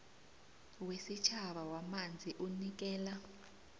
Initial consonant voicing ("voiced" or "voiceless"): voiced